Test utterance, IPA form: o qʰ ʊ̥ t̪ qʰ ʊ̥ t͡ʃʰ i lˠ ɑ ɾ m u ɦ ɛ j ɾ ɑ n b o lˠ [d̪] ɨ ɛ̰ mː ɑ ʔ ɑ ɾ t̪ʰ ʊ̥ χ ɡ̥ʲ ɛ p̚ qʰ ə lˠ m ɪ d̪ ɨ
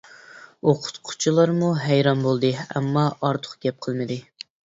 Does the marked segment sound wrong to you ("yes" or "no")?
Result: no